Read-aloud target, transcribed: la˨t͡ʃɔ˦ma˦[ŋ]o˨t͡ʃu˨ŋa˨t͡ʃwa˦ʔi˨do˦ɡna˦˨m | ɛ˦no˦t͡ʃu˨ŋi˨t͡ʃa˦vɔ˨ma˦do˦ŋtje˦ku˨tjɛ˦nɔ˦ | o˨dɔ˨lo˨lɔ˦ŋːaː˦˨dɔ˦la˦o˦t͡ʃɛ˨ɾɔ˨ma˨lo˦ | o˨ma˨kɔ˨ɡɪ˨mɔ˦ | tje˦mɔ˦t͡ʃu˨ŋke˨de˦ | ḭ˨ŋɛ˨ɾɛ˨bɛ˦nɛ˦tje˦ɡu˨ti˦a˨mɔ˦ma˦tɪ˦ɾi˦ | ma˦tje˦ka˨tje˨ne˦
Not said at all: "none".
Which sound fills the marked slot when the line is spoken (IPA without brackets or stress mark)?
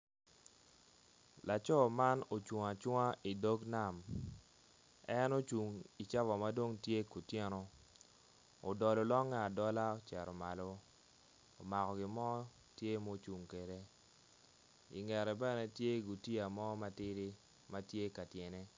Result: n